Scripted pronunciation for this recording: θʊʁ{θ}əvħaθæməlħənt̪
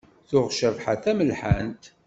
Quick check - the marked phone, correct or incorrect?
incorrect